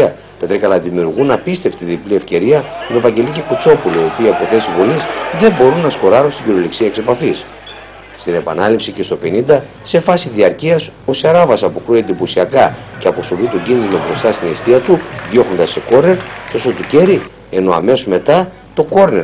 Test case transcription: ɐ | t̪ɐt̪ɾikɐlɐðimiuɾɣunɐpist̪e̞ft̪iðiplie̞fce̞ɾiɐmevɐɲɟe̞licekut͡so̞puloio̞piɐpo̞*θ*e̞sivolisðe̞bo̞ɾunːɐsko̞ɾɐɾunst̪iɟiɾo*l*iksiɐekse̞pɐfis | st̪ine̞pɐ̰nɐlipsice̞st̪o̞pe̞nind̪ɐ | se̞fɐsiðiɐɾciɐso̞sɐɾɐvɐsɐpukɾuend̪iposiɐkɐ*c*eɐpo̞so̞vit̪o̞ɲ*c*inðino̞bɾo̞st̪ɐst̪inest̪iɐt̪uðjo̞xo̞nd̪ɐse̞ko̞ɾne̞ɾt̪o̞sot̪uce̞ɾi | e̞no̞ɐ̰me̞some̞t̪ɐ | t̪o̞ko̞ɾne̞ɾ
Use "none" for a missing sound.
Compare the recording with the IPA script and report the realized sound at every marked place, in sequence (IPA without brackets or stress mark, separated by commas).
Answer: θ, l, c, ɟ